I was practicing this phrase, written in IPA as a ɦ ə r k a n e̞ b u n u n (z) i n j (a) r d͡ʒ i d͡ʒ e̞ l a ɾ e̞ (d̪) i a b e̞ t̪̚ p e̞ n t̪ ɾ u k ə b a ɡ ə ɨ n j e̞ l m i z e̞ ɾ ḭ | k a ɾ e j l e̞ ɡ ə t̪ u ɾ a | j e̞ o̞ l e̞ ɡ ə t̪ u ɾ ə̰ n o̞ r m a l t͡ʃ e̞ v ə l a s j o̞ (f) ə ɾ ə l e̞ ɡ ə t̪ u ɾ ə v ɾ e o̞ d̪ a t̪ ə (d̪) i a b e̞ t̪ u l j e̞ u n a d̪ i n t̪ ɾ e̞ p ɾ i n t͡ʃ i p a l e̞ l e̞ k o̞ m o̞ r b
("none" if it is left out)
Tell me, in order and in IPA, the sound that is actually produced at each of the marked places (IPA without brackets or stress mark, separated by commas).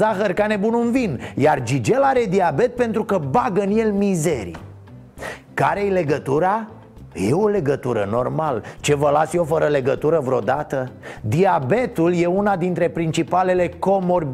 v, a, d̪, f, d̪